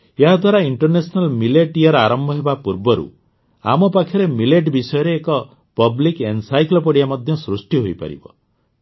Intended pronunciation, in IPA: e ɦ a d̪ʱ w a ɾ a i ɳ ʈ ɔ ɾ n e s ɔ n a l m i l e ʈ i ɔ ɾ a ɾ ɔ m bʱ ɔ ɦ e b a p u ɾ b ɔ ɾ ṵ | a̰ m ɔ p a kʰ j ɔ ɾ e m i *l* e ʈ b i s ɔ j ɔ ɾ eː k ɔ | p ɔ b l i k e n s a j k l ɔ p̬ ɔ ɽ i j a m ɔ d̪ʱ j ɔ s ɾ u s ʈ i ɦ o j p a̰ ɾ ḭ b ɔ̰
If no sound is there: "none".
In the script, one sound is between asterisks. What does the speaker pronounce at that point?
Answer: l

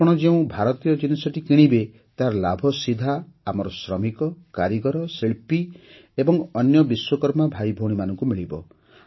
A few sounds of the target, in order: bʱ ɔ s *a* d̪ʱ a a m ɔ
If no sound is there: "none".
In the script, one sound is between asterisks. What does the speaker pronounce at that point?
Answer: i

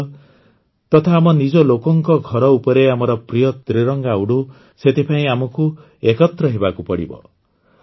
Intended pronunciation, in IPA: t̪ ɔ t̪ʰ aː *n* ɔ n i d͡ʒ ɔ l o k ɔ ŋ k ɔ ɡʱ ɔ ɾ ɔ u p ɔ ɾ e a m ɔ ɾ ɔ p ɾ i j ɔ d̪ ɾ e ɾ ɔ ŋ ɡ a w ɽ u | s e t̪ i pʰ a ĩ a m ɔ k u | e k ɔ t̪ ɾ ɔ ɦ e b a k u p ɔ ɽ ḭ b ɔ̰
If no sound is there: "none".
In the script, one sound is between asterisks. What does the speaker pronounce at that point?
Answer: m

